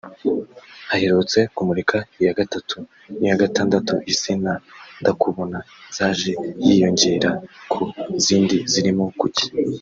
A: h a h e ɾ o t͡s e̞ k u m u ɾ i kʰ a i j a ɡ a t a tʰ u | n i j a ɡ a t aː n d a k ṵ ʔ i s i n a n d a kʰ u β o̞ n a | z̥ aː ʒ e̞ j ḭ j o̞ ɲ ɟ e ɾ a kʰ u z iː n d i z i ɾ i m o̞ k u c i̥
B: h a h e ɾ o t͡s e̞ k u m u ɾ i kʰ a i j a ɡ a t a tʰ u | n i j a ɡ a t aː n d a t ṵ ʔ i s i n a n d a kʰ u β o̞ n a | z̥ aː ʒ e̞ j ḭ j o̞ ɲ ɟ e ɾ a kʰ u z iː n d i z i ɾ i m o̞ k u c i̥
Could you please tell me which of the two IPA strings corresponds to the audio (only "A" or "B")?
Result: B